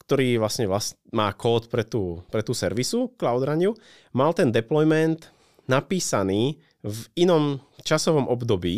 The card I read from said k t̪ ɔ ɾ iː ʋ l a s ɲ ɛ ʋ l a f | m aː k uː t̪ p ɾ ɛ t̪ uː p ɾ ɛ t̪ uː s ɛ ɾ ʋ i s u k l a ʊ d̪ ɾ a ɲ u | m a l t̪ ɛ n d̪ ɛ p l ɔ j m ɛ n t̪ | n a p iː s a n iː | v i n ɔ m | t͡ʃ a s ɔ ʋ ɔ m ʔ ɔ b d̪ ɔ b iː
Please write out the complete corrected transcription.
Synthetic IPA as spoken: k t̪ ɔ ɾ iː ʋ l a s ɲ ɛ ʋ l a s | m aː k ɔː t̪ p ɾ ɛ t̪ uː p ɾ ɛ t̪ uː s ɛ ɾ ʋ i s u k l a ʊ d̪ ɾ a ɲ u | m a l t̪ ɛ n d̪ ɛ p l ɔ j m ɛ n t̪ | n a p iː s a n iː | v i n ɔ m | t͡ʃ a s ɔ ʋ ɔ m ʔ ɔ b d̪ ɔ b iː